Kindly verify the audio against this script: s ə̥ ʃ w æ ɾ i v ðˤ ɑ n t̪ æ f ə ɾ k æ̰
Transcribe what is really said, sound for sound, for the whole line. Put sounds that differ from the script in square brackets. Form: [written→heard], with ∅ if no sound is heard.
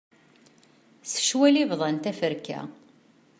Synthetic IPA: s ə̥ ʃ w æ [ɾ→l] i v ðˤ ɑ n t̪ æ f ə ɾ k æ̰